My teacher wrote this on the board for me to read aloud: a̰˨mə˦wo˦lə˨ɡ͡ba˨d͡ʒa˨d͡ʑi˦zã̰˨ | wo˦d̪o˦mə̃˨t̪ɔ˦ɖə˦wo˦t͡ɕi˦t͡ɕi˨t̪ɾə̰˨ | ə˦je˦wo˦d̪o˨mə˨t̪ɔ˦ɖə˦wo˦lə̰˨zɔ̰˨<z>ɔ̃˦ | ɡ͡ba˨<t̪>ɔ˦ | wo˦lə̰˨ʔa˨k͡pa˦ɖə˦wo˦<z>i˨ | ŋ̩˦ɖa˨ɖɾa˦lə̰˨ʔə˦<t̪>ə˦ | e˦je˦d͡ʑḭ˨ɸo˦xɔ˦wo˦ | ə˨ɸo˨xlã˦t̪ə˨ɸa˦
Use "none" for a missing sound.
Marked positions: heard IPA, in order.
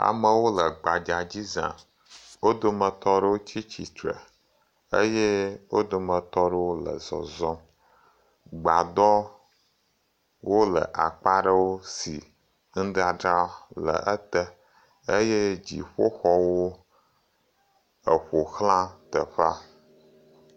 z, d̪, s, t̪

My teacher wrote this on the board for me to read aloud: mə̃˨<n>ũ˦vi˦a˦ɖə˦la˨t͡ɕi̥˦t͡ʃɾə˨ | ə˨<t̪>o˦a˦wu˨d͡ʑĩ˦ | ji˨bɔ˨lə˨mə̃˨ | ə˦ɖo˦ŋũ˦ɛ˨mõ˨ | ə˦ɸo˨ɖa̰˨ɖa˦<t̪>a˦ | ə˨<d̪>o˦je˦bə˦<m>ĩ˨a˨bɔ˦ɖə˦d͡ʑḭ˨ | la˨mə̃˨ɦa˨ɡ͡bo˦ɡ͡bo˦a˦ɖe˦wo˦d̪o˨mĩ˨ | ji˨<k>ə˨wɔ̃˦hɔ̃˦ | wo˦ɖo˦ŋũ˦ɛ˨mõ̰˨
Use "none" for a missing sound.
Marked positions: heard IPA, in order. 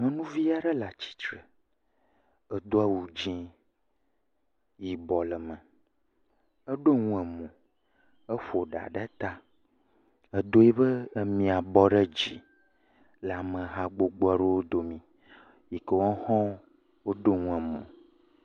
n, d̪, t̪, d̪, m, k

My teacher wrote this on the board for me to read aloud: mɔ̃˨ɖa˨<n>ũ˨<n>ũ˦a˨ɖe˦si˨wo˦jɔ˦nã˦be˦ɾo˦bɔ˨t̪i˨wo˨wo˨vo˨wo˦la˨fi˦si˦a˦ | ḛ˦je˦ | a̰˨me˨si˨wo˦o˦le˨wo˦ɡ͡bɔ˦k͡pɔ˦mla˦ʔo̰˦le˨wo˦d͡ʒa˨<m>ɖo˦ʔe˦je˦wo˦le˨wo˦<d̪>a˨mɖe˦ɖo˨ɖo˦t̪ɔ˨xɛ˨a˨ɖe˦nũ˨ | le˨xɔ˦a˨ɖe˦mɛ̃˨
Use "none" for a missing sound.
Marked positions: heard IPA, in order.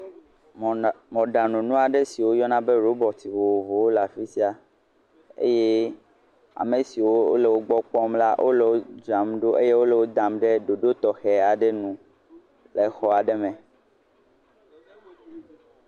n, n, m, d̪

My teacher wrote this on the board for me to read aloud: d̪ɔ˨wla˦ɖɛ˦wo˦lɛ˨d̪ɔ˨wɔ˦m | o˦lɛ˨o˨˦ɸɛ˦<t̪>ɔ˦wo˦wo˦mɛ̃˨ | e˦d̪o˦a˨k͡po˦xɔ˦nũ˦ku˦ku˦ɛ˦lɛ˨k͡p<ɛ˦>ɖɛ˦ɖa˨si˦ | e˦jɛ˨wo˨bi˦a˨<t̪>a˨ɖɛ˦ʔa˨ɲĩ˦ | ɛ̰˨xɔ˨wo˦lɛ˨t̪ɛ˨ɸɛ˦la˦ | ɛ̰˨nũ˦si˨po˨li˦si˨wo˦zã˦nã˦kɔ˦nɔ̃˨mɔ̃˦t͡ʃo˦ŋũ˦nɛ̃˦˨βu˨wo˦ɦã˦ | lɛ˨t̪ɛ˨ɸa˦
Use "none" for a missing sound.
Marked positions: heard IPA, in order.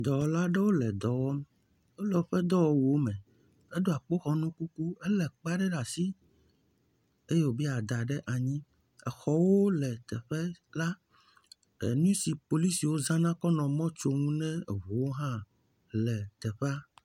d̪, a˦, d̪

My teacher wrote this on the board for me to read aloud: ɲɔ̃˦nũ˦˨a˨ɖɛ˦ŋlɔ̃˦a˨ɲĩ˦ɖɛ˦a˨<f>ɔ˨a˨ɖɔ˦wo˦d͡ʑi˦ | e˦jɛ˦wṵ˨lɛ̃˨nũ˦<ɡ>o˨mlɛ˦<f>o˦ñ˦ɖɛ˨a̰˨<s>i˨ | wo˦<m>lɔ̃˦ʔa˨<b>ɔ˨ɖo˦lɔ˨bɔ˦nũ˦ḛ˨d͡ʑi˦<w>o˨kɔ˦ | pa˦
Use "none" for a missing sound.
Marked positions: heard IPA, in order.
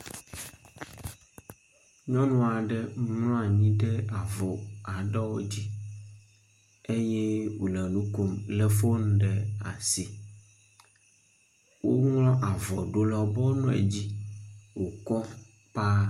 v, k, f, s, ŋ, v, w

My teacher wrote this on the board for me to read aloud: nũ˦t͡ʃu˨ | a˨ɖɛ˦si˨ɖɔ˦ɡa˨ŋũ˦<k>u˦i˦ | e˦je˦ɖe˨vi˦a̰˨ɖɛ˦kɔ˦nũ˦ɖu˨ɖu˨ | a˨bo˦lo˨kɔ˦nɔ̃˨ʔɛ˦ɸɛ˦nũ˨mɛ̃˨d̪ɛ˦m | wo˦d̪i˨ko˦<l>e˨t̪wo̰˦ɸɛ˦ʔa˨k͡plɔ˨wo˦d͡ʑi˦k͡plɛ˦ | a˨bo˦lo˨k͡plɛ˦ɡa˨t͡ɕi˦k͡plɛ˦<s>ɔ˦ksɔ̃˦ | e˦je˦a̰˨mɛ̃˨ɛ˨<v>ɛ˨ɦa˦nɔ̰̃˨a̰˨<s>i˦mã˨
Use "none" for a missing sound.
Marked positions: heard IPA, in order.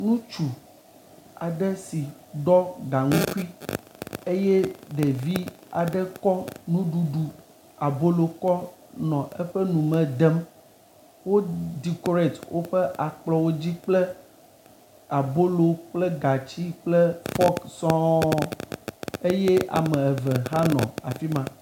k, ɾ, f, v, f

